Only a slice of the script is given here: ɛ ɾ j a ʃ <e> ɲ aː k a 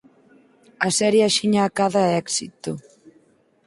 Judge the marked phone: incorrect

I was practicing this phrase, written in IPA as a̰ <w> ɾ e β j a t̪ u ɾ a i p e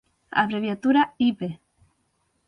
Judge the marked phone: incorrect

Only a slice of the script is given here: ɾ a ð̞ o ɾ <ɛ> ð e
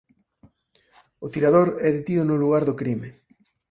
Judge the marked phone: correct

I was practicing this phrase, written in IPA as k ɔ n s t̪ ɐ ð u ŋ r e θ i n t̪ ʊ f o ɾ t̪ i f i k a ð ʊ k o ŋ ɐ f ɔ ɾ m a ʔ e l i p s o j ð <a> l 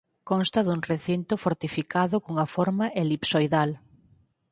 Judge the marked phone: correct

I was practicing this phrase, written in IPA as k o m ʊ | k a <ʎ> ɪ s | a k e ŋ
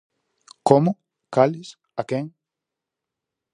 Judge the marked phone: incorrect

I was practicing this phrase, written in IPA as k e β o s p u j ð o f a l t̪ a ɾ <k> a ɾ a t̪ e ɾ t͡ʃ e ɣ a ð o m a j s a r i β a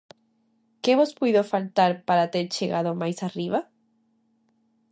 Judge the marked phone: incorrect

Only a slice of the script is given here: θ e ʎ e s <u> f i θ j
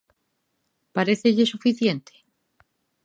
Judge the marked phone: correct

